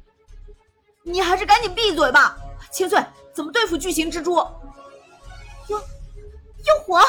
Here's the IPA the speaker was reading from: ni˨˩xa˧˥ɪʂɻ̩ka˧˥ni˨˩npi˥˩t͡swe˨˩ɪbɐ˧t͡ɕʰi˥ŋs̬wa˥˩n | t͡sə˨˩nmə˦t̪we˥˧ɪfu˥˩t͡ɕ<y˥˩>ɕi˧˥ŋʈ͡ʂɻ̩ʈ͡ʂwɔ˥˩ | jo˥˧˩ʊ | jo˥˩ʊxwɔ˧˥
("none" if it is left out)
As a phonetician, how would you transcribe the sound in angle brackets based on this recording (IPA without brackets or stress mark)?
y˥˩